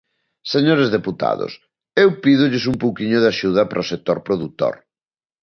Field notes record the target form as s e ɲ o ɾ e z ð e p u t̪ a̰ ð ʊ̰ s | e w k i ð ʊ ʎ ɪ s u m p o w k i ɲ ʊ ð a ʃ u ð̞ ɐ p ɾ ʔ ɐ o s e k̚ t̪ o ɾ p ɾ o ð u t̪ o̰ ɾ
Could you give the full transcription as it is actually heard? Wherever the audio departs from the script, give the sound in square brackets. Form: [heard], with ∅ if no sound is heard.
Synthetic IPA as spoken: s e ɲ o ɾ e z ð e p u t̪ a̰ ð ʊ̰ s | e w [p] i ð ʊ ʎ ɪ s u m p o w k i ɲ ʊ ð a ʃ u ð̞ ɐ p ɾ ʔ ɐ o s e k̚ t̪ o ɾ p ɾ o ð u t̪ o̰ ɾ